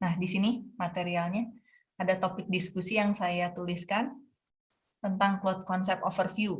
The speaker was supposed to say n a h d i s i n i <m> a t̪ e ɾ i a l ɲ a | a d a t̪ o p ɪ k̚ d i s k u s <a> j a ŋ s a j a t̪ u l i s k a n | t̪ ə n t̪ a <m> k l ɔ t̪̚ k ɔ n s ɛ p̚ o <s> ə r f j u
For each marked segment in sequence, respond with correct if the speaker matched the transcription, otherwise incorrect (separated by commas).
correct, incorrect, incorrect, incorrect